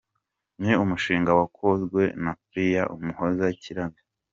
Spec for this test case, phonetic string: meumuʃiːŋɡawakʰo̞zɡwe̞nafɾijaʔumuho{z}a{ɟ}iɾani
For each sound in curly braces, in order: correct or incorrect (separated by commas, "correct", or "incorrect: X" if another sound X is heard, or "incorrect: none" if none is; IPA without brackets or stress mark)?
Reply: correct, incorrect: c